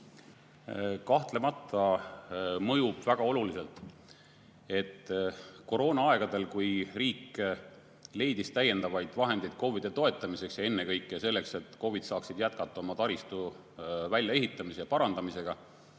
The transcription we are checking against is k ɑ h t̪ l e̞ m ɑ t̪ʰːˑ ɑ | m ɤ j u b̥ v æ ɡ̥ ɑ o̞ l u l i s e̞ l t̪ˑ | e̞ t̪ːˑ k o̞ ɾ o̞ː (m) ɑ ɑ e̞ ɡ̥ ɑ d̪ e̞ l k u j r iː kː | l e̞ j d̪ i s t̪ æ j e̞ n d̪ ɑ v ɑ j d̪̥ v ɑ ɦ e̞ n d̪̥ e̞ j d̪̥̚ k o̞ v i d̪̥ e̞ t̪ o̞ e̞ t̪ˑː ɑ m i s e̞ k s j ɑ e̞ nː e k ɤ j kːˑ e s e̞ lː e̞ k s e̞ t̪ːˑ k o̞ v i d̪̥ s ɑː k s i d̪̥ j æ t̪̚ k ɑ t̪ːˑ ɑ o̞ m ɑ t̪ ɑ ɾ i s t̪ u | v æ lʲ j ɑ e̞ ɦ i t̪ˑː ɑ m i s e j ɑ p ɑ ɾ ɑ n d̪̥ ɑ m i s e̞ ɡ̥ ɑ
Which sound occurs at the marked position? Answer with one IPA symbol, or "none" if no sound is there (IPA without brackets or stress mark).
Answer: n